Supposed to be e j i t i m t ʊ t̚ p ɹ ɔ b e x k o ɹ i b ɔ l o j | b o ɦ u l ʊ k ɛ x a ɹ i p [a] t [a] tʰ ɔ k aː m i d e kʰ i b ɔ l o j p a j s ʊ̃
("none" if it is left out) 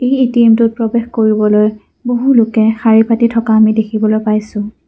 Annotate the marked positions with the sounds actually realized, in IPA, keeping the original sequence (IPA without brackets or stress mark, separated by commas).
a, i